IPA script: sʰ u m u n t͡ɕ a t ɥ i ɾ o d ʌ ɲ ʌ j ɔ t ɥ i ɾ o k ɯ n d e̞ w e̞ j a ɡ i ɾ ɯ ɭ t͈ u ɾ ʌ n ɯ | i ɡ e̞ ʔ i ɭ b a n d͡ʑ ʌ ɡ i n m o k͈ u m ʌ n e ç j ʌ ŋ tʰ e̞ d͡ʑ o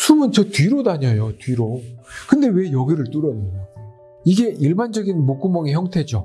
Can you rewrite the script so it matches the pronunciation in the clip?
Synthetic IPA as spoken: sʰ u m ɯ n t͡ɕ ʌ t ɥ i ɾ o d a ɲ ʌ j o t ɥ i ɾ o k ɯ n d e̞ w e̞ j ʌ ɡ i ɾ ɯ ɭ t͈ u ɾ ʌ n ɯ | i ɡ e̞ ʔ i ɭ b a n d͡ʑ ʌ ɡ i n m o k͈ u m ʌ ŋ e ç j ʌ ŋ tʰ e̞ d͡ʑ o

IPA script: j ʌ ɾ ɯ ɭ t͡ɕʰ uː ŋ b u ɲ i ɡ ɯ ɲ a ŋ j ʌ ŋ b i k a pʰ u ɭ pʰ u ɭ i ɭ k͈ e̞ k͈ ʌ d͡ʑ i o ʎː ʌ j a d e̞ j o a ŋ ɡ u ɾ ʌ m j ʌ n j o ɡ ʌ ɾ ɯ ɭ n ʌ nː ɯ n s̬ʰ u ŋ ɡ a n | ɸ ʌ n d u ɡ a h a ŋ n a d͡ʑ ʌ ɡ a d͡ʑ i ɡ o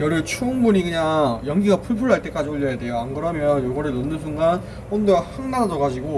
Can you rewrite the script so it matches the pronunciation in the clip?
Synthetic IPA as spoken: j ʌ ɾ ɯ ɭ t͡ɕʰ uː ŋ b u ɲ i ɡ ɯ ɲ a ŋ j ʌ ŋ ɡ i ɡ a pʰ u ɭ pʰ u ɭ a ɭ t͈ e̞ k͈ a d͡ʑ i o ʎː ʌ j a d e̞ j o a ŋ ɡ ɯ ɾ ʌ m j ʌ n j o ɡ ʌ ɾ ɯ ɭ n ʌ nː ɯ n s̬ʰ u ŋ ɡ a n | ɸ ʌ n d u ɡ a h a ŋ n a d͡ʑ ʌ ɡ a d͡ʑ i ɡ o

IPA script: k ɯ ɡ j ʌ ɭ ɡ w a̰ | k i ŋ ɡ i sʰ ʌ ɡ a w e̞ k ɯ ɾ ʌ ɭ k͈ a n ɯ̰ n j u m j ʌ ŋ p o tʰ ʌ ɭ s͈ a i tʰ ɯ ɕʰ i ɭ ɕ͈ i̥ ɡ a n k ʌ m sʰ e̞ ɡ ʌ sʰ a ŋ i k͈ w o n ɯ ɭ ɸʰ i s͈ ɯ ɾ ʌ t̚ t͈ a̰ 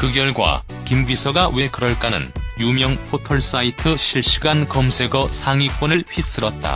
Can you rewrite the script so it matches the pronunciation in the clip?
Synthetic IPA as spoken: k ɯ ɡ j ʌ ɭ ɡ w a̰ | k i m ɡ i sʰ ʌ ɡ a w e̞ k ɯ ɾ ʌ ɭ k͈ a n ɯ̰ n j u m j ʌ ŋ pʰ o tʰ ʌ ɭ s͈ a i tʰ ɯ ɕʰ i ɭ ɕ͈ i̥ ɡ a n k ʌ m sʰ e̞ ɡ ʌ sʰ a ŋ i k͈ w o n ɯ ɭ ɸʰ i s͈ ɯ ɾ ʌ t̚ t͈ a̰

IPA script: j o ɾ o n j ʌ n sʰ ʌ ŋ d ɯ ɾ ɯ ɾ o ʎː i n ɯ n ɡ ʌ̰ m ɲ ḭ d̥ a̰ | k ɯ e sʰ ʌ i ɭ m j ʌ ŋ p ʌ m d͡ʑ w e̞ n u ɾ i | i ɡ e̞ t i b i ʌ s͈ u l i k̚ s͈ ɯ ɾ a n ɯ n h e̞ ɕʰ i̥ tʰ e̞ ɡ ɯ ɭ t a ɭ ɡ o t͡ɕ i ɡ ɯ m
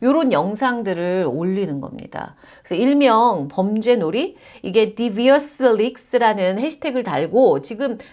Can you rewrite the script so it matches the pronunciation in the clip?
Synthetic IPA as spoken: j o ɾ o n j ʌ ŋ sʰ a ŋ d ɯ ɾ ɯ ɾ o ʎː i n ɯ n ɡ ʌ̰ m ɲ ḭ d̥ a̰ | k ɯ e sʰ ʌ i ɭ m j ʌ ŋ p ʌ m d͡ʑ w e̞ n o ɾ i | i ɡ e̞ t i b i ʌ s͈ ɯ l i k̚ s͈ ɯ ɾ a n ɯ n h e̞ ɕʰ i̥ tʰ e̞ ɡ ɯ ɭ t a ɭ ɡ o t͡ɕ i ɡ ɯ m

